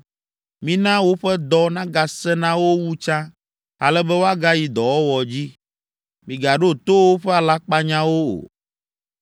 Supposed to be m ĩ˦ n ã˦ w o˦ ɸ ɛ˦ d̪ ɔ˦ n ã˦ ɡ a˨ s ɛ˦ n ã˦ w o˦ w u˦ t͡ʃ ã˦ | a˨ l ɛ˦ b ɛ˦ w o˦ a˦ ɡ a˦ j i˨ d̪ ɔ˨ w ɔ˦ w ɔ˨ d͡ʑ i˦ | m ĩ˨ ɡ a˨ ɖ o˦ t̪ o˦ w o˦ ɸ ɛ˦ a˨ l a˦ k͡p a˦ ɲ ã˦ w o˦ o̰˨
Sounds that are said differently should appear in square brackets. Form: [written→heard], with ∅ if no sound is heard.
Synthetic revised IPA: m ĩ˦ n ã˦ w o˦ ɸ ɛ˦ d̪ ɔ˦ n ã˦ ɡ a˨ s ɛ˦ n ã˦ w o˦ w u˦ t͡ʃ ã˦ | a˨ l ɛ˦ b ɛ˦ w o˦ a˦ ɡ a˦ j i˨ d̪ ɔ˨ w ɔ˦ w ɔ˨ d͡ʑ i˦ | m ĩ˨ ɡ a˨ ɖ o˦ t̪ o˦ w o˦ ɸ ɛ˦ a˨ l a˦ k͡p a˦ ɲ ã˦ w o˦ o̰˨